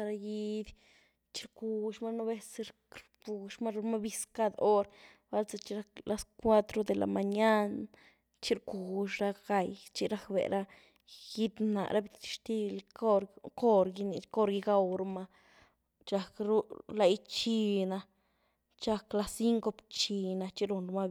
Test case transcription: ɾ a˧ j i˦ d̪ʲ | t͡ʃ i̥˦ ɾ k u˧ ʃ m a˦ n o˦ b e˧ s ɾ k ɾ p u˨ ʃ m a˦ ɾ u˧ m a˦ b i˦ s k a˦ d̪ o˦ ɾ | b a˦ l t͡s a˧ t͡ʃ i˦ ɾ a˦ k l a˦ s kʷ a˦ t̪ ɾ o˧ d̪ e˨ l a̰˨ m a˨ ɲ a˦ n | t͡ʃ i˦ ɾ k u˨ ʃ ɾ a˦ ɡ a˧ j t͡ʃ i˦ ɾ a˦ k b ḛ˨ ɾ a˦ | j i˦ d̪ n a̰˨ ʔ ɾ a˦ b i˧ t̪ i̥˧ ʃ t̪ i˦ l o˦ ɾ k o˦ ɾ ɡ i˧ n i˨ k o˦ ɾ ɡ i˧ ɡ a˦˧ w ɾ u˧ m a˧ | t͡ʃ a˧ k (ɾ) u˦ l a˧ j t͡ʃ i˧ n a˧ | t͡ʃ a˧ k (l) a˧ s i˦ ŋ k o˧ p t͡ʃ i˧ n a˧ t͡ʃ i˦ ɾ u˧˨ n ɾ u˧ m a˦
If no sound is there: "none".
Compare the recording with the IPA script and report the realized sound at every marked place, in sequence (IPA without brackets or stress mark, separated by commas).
ɾ, l